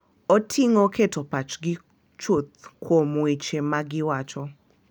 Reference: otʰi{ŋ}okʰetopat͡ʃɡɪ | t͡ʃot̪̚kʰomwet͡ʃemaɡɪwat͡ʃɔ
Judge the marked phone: correct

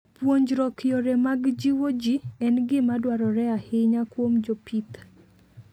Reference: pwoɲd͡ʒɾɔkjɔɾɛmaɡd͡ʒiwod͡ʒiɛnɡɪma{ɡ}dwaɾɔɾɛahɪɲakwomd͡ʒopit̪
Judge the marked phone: incorrect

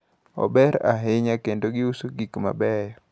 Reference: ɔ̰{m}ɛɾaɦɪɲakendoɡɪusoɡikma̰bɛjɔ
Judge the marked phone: incorrect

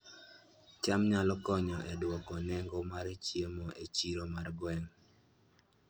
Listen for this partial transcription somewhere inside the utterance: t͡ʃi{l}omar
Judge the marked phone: incorrect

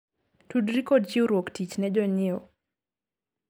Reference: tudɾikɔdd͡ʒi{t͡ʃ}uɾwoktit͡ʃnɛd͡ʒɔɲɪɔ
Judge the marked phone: incorrect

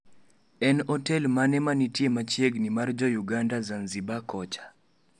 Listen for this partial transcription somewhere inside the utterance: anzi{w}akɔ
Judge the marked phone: incorrect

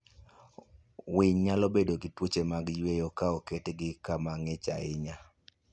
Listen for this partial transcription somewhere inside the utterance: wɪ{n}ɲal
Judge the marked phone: incorrect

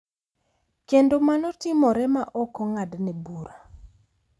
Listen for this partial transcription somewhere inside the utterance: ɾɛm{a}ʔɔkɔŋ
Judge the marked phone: correct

